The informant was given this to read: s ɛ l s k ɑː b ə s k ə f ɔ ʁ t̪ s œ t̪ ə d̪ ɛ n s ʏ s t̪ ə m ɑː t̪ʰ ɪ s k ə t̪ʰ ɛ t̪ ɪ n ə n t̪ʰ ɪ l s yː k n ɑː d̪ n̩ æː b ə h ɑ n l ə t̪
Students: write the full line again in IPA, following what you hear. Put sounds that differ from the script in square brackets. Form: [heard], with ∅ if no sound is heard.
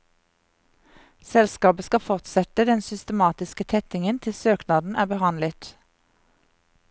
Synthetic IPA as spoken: s ɛ l s k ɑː b ə s k [ɑ] f ɔ ʁ t̪ s [ɛ] t̪ ə d̪ ɛ n s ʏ s t̪ ə m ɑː [t̪] ɪ s k ə t̪ʰ ɛ t̪ ɪ [ŋ] ə n t̪ʰ ɪ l s [øː] k n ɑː d̪ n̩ æː b ə h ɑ n l ə t̪